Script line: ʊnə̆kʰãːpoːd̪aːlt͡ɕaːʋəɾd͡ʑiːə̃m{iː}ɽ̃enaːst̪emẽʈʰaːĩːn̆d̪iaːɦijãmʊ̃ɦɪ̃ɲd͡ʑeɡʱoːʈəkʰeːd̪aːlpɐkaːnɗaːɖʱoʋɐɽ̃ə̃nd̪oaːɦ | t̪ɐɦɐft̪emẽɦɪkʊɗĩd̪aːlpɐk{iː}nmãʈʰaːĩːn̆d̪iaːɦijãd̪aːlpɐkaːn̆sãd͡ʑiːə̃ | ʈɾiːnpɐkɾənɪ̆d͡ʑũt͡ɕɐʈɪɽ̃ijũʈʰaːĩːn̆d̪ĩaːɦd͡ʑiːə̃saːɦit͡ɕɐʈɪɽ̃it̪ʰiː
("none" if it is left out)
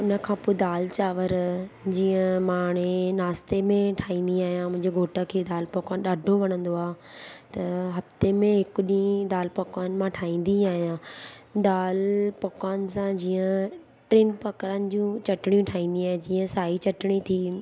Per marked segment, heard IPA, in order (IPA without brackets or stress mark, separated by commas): aː, aː